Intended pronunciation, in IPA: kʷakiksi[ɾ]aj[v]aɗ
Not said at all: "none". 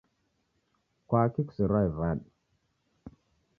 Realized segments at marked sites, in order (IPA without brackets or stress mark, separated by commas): ɾ, v